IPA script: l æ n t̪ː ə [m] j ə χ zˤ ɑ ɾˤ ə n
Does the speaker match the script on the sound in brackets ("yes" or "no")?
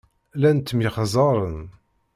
yes